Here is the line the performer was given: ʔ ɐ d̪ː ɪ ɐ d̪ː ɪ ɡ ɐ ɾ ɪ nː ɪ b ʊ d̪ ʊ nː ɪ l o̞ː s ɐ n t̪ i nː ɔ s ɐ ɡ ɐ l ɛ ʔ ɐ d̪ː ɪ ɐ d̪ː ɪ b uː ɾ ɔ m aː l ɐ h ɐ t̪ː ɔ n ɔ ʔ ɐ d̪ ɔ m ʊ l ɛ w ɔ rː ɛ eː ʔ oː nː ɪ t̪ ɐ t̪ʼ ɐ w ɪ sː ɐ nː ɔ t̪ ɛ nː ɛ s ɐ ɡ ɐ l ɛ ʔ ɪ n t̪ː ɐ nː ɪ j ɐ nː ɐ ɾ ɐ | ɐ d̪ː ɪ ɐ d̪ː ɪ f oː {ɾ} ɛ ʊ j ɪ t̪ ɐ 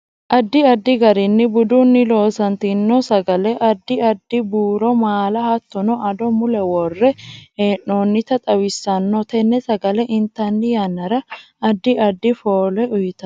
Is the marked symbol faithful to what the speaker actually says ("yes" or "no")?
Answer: no